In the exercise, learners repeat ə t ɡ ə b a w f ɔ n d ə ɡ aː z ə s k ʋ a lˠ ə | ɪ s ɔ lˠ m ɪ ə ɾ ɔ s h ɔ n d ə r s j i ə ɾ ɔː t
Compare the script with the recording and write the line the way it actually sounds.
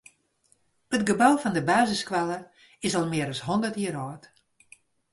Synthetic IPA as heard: ə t ɡ ə b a w f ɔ n d ə b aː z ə s k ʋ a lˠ ə | ɪ s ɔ lˠ m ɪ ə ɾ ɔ s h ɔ n d ə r t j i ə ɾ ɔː t

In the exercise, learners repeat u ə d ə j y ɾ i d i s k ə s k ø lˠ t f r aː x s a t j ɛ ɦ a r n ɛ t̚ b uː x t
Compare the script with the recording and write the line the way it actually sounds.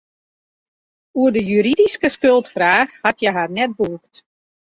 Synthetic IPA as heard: u ə d ə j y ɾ i d i s k ə s k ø lˠ t f r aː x h a t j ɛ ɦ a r n ɛ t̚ b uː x t

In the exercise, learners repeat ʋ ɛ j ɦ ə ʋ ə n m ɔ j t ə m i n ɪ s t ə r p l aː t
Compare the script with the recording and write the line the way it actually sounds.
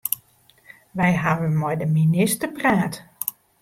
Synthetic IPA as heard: ʋ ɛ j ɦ a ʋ ə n m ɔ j d ə m i n ɪ s t ə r p r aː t

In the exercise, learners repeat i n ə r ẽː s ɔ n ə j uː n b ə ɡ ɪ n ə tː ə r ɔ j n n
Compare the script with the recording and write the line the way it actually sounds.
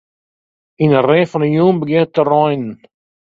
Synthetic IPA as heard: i n ə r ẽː f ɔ n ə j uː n b ə ɡ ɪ n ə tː ə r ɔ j n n

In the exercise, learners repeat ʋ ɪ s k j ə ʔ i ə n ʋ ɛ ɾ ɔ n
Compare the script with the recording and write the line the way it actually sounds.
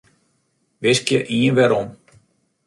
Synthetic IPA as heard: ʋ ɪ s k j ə ʔ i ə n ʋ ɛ ɾ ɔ m

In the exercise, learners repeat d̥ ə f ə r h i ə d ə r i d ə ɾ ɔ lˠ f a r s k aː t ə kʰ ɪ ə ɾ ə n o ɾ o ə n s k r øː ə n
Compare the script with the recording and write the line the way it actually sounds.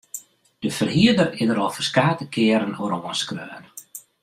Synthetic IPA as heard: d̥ ə f ə r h i ə d ə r ɪ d ə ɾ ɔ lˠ f ə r s k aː t ə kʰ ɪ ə ɾ ə n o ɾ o ə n s k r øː ə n

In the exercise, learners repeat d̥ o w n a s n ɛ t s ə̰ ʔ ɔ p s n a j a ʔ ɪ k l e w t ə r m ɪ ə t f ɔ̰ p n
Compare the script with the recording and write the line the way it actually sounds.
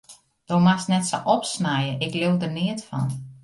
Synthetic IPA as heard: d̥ o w m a s n ɛ t s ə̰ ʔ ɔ p s n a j ə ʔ ɪ k l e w d ə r n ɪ ə t f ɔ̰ n

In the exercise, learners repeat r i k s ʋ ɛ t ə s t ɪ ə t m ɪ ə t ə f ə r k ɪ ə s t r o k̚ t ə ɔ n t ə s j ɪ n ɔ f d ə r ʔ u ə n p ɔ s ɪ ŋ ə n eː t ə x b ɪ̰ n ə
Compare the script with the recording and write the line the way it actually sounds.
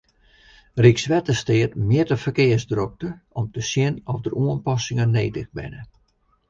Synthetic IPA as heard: r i k s ʋ ɛ t ə s t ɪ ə t m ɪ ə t ə f ə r k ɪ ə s d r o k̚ t ə ɔ m t ə s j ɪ n ɔ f d ə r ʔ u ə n p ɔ s ɪ ŋ ə n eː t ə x b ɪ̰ n ə

